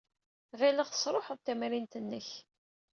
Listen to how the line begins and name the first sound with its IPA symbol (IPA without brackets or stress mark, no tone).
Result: ʁ